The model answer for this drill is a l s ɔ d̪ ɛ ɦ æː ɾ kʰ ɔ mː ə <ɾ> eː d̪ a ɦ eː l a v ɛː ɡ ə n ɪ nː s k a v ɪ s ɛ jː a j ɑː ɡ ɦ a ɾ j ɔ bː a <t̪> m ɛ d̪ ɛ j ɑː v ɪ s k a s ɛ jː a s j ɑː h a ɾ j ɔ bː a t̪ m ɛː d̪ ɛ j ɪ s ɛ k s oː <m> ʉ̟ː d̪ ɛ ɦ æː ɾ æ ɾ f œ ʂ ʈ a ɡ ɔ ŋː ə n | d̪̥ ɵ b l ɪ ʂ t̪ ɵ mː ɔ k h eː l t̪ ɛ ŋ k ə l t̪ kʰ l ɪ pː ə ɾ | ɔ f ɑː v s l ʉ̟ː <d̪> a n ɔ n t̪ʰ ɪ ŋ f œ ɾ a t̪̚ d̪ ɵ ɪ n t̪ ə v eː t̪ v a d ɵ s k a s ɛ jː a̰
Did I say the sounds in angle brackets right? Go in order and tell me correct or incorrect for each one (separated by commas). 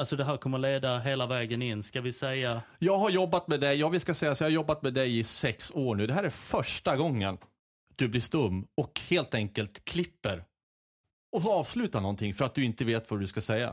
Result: incorrect, correct, incorrect, incorrect